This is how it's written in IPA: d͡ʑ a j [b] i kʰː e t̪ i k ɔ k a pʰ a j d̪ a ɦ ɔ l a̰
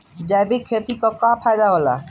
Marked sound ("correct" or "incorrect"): correct